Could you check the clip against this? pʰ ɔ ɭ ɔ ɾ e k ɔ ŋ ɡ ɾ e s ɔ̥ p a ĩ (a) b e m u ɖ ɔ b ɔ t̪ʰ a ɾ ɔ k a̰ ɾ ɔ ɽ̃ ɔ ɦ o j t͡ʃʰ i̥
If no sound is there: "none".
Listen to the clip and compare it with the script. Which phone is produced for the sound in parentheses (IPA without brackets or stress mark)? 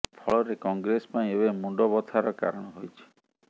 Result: e